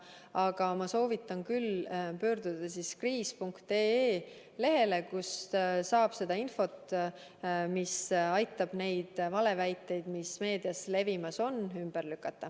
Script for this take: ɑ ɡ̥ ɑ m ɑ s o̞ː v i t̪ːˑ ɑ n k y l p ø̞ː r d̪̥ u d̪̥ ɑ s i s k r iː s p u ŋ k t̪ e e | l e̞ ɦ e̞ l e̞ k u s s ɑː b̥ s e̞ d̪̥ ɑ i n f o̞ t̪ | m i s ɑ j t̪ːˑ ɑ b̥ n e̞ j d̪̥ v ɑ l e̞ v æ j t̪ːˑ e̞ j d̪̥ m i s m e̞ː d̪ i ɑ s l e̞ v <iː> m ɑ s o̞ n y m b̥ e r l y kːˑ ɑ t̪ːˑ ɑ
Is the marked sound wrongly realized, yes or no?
yes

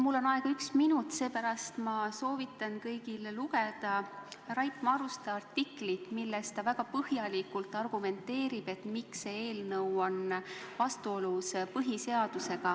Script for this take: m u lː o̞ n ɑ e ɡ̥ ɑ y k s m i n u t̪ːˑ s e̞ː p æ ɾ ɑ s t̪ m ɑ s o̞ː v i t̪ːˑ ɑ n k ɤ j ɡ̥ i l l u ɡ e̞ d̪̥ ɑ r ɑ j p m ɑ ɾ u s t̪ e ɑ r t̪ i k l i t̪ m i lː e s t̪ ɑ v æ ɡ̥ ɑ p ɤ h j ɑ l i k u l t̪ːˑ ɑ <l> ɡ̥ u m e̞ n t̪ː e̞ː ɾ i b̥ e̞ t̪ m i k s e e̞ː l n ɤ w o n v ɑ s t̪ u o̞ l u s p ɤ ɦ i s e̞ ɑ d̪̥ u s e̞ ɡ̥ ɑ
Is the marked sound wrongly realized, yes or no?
yes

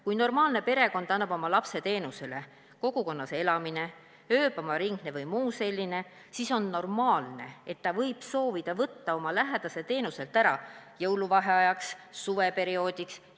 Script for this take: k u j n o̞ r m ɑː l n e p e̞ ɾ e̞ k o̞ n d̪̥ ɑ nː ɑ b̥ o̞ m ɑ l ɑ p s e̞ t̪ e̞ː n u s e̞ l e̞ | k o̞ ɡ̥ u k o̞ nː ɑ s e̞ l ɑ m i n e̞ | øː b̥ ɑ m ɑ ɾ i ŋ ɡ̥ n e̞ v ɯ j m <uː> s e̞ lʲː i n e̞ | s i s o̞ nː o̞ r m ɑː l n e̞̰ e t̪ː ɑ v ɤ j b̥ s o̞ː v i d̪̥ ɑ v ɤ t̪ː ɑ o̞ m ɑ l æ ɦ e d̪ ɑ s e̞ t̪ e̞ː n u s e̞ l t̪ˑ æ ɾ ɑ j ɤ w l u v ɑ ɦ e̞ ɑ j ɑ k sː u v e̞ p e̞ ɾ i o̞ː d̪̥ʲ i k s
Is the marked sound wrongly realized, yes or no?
no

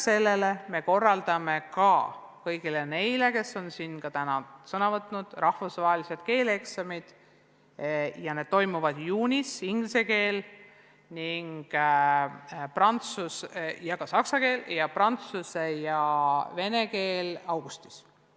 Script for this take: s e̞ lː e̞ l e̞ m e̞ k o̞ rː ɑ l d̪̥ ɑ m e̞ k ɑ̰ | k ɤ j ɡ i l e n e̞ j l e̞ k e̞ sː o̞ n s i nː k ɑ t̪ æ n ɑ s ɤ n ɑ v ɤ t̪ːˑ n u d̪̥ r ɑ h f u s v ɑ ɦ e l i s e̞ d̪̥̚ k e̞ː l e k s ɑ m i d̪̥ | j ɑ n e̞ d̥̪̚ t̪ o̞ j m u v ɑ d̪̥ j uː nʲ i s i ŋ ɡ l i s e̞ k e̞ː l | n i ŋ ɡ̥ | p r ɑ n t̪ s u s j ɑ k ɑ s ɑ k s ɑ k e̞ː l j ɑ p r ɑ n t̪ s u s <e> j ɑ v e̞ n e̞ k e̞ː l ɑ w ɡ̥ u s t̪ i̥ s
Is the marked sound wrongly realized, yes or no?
no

